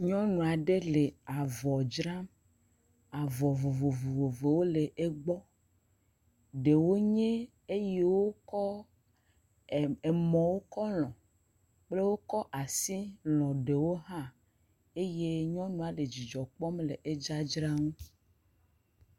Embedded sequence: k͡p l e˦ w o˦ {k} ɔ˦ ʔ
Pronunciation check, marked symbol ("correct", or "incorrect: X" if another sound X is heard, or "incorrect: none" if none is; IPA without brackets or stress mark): correct